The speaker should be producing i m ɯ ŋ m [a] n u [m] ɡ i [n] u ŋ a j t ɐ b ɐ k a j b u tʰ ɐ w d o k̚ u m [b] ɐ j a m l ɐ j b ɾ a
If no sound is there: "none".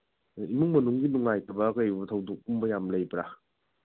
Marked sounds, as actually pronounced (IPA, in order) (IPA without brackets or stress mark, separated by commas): ɐ, ŋ, n, b